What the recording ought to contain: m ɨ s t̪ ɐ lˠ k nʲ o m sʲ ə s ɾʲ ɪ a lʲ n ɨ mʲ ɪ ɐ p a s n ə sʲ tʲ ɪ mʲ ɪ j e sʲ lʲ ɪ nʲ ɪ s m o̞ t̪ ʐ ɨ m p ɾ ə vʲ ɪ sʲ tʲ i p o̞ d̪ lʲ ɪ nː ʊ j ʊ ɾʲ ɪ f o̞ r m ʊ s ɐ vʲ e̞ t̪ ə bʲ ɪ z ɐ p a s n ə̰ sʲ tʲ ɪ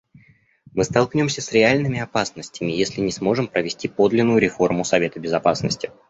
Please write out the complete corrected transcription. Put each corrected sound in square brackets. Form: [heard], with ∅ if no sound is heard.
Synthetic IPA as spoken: m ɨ s t̪ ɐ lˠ k nʲ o m sʲ ə s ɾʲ ɪ a lʲ n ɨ mʲ ɪ ɐ p a s n ə sʲ tʲ ɪ mʲ ɪ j e sʲ lʲ ɪ nʲ ɪ s m o̞ [∅] ʐ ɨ m p ɾ ə vʲ ɪ sʲ tʲ i p o̞ d̪ lʲ ɪ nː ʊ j ʊ ɾʲ ɪ f o̞ r m ʊ s ɐ vʲ e̞ t̪ ə bʲ ɪ z ɐ p a s n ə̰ sʲ tʲ ɪ